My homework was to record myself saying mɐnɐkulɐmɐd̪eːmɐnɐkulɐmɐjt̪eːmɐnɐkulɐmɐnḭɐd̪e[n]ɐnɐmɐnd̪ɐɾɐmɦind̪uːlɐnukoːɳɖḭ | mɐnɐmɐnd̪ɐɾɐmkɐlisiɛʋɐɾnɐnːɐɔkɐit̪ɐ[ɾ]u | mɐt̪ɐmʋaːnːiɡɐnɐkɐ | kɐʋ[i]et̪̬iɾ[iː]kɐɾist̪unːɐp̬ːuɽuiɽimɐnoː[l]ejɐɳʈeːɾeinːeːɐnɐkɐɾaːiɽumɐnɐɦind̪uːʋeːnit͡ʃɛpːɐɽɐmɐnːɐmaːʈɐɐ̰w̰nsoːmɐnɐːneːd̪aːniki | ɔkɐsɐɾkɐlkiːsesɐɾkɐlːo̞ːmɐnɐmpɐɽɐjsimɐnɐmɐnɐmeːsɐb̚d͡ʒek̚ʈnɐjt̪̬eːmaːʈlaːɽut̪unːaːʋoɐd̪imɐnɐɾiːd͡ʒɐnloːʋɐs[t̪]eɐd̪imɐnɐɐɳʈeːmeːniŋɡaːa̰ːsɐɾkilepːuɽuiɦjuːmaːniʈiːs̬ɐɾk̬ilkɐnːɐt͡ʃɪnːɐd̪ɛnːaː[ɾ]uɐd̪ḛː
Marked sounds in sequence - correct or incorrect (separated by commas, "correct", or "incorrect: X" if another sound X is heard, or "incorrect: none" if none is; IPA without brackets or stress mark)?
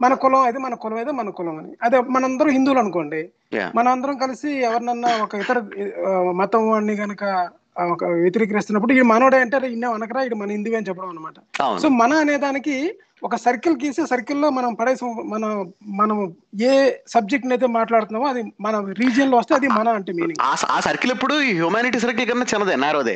incorrect: m, correct, incorrect: j, correct, incorrect: ɽ, correct, correct